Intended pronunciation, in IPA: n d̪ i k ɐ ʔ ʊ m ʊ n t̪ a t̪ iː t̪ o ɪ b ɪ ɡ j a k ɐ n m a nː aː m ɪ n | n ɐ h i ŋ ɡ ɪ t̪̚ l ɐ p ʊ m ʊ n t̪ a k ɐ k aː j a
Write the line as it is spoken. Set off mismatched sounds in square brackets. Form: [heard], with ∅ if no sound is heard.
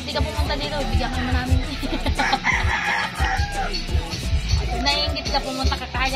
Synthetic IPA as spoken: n d̪ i k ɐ [p] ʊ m ʊ n t̪ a [d̪] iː t̪ o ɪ b ɪ ɡ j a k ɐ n m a [n] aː m ɪ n | n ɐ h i ŋ ɡ ɪ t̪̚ l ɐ p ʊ m ʊ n t̪ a k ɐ k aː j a